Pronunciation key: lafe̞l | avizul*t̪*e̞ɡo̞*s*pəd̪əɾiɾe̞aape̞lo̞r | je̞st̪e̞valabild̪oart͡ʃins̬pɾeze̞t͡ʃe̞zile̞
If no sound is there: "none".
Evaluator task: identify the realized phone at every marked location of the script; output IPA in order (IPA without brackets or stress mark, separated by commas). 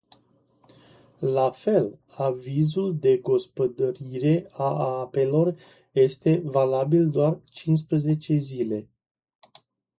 d̪, s